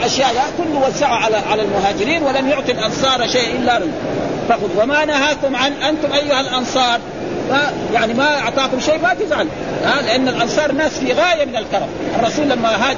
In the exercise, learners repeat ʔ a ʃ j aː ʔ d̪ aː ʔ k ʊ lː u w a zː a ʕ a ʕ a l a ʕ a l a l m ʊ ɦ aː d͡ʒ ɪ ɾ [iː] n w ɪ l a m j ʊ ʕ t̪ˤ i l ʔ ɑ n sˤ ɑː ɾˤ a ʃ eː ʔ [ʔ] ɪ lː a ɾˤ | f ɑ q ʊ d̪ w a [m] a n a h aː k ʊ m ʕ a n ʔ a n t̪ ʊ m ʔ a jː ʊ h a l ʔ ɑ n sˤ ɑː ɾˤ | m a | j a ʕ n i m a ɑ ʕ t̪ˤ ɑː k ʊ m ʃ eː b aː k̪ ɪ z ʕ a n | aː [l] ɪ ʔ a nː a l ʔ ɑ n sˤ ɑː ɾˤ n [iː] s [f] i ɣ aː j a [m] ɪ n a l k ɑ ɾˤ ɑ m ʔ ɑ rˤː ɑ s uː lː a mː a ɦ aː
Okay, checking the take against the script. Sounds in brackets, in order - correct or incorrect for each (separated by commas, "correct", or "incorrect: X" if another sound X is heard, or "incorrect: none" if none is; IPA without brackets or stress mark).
correct, correct, correct, correct, incorrect: aː, correct, correct